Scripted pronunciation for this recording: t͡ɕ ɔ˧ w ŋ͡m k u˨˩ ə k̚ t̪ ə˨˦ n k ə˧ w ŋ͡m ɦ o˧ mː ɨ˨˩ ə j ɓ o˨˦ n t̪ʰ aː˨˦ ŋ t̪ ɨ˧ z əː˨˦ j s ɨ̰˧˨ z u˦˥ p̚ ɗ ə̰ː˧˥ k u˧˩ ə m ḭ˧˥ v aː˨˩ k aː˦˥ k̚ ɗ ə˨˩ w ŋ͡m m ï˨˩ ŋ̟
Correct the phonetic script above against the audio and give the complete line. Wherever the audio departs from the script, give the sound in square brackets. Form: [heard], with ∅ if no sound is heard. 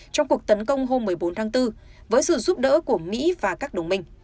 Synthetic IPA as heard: t͡ɕ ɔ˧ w ŋ͡m k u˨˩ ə k̚ t̪ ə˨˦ n k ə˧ w ŋ͡m ɦ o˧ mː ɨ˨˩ ə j ɓ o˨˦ n t̪ʰ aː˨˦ ŋ t̪ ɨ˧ [v] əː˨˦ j s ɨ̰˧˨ z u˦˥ p̚ ɗ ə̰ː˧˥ k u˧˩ ə m ḭ˧˥ v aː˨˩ k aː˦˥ k̚ ɗ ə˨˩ w ŋ͡m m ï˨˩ ŋ̟